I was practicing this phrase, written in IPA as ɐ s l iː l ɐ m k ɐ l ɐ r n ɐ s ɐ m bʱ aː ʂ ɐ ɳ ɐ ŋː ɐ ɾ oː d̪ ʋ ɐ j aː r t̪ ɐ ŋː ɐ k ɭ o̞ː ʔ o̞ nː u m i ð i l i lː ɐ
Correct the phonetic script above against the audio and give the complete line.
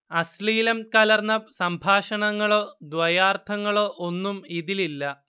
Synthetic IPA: ɐ s l iː l ɐ m k ɐ l ɐ r n ɐ s ɐ m bʱ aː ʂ ɐ ɳ ɐ ŋː ɐ ɭ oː d̪ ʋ ɐ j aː r t̪ʰ ɐ ŋː ɐ ɭ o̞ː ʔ o̞ nː u m i ð i l i lː ɐ